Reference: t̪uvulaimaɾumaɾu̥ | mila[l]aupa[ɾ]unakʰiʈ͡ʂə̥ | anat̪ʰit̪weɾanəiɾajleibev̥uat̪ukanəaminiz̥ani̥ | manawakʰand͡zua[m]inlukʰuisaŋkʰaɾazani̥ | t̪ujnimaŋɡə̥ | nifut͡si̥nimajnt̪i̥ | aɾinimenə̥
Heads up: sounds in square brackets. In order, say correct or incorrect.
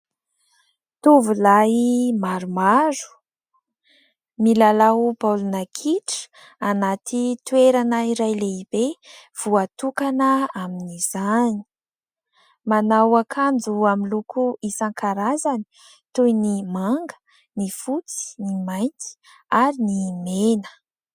correct, incorrect, correct

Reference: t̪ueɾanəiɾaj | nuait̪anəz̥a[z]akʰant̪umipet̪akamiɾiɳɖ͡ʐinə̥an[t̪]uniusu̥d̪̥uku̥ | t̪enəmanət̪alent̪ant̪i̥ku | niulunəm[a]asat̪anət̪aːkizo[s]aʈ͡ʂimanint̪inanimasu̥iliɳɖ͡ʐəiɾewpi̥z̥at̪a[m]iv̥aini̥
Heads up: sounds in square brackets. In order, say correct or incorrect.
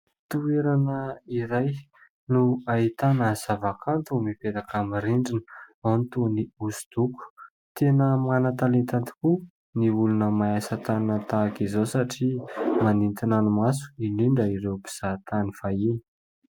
incorrect, correct, correct, correct, incorrect

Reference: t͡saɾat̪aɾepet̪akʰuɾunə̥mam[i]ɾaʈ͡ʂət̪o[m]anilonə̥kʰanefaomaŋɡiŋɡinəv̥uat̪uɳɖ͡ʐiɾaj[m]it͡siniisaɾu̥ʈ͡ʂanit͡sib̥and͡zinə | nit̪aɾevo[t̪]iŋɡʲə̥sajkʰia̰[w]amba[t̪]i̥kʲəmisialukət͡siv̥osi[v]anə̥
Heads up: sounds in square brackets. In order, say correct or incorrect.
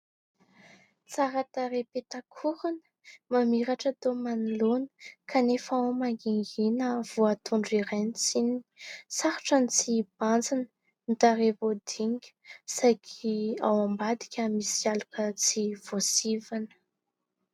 correct, correct, incorrect, incorrect, correct, incorrect, correct

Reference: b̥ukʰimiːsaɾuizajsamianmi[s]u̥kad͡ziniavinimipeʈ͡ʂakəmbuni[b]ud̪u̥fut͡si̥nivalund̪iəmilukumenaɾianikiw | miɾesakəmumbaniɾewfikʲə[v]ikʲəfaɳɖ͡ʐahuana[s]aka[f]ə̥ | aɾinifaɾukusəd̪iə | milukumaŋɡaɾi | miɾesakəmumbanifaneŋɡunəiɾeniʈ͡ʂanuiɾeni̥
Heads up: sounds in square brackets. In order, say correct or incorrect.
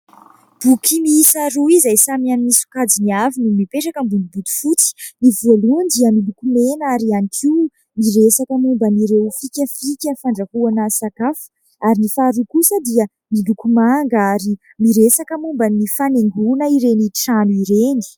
correct, correct, incorrect, correct, correct

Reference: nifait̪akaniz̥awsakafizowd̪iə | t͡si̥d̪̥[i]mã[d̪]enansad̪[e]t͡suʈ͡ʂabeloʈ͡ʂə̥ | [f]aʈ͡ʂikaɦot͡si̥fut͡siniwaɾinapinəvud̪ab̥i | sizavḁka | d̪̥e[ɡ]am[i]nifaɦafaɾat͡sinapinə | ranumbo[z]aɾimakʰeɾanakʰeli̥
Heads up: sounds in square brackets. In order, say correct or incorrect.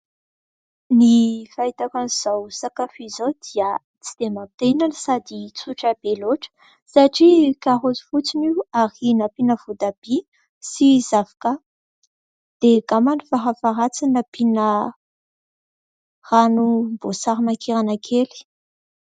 incorrect, incorrect, incorrect, incorrect, correct, incorrect, incorrect

